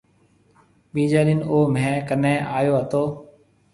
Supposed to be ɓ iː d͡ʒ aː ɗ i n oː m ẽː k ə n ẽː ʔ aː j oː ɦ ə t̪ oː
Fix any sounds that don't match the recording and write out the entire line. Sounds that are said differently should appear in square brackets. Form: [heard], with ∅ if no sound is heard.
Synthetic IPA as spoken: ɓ iː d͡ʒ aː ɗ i n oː m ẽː k ə n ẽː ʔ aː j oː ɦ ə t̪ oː